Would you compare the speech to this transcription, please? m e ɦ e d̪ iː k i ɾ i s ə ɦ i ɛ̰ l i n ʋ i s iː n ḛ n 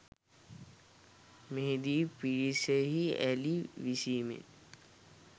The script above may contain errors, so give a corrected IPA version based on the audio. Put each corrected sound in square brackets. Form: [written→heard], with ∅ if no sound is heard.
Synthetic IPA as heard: m e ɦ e d̪ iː [k→p] i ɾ i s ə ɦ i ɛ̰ l i [n→∅] ʋ i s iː [n→m] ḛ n